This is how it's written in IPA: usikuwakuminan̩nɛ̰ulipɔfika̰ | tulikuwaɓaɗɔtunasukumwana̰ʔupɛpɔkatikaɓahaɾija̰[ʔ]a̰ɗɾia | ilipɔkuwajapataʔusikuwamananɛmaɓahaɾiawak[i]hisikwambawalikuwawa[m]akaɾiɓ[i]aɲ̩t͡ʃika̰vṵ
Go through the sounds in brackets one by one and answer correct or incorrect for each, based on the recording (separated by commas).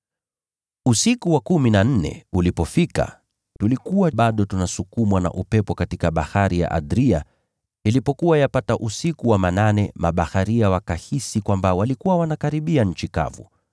correct, incorrect, incorrect, correct